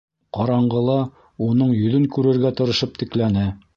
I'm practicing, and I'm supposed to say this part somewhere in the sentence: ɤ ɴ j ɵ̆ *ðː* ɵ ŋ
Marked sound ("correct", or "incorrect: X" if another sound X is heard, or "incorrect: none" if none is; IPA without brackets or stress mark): incorrect: ð